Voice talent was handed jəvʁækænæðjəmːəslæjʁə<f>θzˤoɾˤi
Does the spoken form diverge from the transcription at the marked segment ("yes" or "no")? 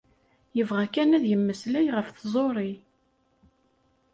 no